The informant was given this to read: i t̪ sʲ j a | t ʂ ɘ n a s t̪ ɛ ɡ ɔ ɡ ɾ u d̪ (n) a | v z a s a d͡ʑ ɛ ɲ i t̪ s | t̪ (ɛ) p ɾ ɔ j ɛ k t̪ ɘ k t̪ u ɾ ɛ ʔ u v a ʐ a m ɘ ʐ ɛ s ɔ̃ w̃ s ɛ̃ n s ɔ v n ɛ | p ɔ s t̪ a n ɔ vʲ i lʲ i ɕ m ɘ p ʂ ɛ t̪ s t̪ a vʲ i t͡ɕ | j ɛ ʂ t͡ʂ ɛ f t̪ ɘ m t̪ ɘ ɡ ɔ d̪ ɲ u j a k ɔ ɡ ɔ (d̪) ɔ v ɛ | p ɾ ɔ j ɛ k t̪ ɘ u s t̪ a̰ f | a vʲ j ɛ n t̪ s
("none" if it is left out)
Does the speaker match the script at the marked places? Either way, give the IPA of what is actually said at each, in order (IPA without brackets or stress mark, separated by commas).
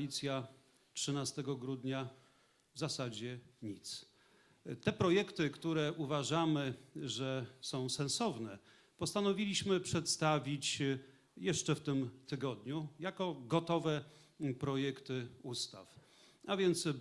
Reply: ɲ, ɛ, t̪